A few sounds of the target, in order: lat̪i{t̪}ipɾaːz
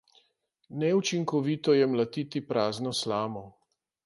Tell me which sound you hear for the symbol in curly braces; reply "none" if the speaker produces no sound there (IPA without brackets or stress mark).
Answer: t̪